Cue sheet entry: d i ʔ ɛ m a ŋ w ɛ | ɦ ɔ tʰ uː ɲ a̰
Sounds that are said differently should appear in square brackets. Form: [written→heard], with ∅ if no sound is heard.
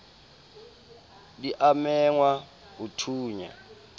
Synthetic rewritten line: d i ʔ [ɛ→a] m [a→ɛ] ŋ w [ɛ→a] | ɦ [ɔ→u] tʰ uː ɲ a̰